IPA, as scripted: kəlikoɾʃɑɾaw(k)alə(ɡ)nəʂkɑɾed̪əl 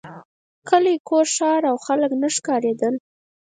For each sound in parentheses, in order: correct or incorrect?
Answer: incorrect, incorrect

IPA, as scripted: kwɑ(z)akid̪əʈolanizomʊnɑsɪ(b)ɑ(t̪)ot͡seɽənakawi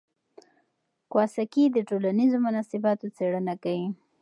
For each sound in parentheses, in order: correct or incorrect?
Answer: incorrect, correct, correct

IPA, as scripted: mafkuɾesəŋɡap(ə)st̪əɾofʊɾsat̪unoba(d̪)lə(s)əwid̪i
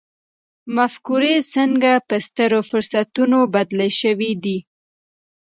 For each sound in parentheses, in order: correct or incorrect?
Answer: correct, correct, incorrect

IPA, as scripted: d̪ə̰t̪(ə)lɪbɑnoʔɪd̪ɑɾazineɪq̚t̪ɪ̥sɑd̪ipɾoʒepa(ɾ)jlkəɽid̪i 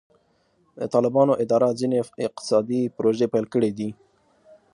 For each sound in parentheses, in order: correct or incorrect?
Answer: incorrect, incorrect

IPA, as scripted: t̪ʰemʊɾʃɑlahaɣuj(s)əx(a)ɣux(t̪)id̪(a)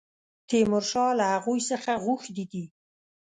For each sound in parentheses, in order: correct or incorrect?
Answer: correct, correct, incorrect, incorrect

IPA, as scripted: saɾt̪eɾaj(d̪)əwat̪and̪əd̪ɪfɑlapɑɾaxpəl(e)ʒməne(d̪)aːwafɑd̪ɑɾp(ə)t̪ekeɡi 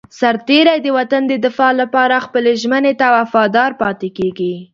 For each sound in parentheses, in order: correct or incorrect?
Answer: correct, correct, incorrect, incorrect

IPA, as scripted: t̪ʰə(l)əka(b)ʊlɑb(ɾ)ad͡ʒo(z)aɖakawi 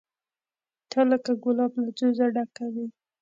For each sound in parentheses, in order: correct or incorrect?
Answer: correct, incorrect, incorrect, correct

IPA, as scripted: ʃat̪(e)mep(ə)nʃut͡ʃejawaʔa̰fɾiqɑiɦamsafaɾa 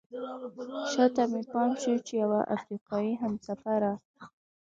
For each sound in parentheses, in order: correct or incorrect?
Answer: incorrect, incorrect

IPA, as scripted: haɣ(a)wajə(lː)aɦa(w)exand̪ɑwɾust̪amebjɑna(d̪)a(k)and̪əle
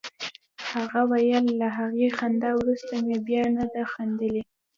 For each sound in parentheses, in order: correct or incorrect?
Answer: correct, correct, incorrect, correct, incorrect

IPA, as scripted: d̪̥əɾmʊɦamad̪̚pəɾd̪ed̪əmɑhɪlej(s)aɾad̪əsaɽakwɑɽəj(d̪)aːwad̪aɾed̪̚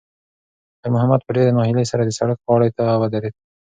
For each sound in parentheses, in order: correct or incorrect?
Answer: correct, incorrect

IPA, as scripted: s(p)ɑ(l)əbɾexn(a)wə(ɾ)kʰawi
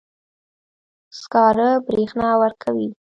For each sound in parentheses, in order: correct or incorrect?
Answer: incorrect, incorrect, incorrect, correct

